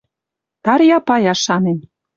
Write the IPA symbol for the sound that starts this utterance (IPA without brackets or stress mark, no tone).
t̪